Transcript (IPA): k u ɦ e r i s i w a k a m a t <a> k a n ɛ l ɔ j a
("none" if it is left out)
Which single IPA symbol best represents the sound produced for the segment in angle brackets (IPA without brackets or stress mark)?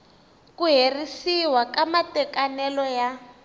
ɛ